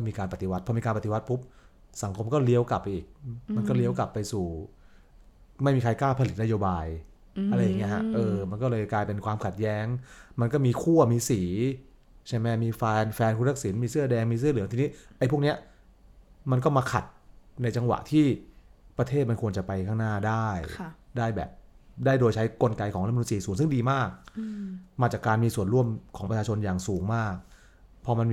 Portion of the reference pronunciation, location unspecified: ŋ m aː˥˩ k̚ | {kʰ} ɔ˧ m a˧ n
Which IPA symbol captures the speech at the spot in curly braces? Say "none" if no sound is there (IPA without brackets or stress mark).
pʰ